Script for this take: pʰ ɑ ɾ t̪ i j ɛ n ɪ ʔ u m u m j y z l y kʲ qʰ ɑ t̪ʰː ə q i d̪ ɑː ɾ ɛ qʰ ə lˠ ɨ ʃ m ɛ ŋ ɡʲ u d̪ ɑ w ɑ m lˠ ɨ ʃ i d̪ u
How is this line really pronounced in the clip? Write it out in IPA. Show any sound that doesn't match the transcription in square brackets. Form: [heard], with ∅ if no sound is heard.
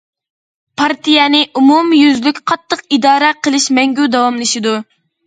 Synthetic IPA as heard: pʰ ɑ ɾ t̪ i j ɛ n ɪ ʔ u m u m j y z l y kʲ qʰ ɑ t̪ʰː ə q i d̪ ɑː ɾ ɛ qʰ ə lˠ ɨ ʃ m ɛ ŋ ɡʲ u d̪ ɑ w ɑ m lˠ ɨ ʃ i d̪ u